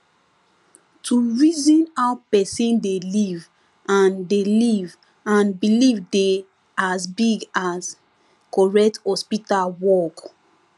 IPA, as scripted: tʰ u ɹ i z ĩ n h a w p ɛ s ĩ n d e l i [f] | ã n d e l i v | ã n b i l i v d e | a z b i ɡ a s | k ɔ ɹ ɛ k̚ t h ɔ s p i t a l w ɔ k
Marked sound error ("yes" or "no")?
yes